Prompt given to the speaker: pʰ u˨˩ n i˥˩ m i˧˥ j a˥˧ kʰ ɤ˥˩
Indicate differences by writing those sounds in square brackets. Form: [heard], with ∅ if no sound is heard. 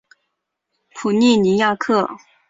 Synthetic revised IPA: pʰ u˨˩ n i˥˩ [n] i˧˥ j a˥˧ kʰ ɤ˥˩